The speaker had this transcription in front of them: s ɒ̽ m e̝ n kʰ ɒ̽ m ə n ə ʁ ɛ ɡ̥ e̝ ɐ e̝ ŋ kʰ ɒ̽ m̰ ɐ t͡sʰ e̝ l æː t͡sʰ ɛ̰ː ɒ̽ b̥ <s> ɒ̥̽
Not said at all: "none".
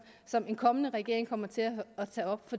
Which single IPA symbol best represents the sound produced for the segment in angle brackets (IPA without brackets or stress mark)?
f